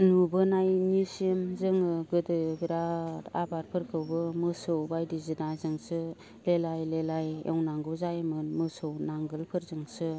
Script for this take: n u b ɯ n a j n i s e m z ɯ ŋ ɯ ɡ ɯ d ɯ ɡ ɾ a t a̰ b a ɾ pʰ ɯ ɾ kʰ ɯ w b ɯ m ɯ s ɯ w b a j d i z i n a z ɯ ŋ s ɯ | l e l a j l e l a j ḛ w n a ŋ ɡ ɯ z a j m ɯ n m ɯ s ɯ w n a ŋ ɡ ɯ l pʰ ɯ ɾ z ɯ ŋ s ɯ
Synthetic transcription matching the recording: n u b ɯ n a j n i s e m z ɯ ŋ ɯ ɡ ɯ d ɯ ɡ ɾ a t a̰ b a ɾ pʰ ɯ ɾ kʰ ɯ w b ɯ m ɯ s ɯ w b a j d i z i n a z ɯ ŋ s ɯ | l e l a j l e l a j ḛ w n a ŋ ɡ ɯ z a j m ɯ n m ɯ s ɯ w n a ŋ ɡ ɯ l pʰ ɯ ɾ z ɯ ŋ s ɯ